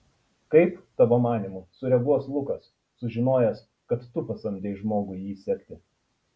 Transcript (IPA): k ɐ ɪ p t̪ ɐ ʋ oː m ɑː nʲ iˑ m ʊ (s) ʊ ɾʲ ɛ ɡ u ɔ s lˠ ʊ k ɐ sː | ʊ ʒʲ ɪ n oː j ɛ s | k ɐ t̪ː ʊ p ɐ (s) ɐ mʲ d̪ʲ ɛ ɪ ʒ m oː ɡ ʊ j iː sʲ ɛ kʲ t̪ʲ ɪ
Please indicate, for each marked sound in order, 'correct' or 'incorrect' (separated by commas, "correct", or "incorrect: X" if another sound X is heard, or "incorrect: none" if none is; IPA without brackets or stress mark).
correct, correct